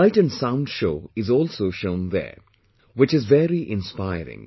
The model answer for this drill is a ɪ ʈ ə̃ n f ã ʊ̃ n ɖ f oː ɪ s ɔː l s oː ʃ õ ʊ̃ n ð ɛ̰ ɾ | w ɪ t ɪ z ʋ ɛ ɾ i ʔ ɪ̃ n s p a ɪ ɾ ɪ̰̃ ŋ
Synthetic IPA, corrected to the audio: a ɪ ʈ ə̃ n s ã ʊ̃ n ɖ ʃ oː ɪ z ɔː l s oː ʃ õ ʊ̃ n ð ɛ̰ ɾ | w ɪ t͡ʃ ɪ z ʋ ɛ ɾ i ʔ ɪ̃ n s p a ɪ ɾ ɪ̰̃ ŋ